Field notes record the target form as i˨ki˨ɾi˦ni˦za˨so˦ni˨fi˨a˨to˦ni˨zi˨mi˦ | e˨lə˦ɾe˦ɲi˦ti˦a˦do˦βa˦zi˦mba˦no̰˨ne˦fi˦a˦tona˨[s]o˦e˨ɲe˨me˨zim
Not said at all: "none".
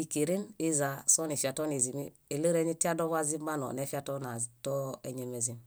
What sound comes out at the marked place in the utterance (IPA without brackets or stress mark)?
t